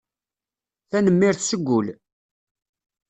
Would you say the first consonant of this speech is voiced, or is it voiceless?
voiceless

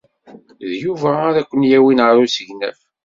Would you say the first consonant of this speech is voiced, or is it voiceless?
voiced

